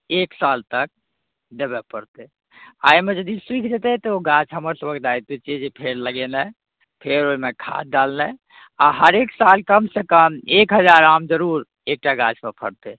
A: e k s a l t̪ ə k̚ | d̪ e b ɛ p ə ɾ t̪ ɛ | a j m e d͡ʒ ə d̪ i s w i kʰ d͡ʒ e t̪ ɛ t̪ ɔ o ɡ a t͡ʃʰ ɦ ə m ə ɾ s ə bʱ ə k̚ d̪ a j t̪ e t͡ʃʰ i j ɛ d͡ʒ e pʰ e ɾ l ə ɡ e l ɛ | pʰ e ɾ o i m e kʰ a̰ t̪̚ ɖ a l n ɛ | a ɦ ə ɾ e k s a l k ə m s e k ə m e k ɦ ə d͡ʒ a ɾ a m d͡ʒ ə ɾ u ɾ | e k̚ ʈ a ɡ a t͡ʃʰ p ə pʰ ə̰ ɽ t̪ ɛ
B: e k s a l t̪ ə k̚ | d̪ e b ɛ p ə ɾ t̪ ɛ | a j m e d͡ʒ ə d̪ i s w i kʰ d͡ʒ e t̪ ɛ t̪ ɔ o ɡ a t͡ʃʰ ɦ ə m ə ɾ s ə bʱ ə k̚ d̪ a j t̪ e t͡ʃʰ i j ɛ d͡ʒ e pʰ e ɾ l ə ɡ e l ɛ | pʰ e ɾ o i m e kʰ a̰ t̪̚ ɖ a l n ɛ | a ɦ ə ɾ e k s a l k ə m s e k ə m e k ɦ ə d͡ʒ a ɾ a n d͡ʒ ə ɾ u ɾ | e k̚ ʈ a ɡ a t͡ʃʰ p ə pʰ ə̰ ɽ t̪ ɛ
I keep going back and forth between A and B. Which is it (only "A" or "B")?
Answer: A